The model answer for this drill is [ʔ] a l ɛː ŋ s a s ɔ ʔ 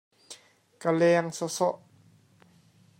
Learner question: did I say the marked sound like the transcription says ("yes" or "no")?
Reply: no